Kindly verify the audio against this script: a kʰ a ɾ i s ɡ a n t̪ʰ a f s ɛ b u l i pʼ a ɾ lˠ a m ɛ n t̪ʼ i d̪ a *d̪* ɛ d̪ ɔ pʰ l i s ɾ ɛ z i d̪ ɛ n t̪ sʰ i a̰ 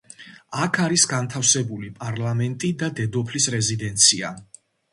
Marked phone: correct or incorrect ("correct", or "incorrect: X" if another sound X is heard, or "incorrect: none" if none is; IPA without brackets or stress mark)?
correct